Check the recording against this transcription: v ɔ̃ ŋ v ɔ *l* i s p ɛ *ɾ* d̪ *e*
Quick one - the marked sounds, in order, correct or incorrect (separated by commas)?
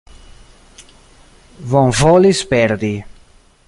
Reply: correct, correct, incorrect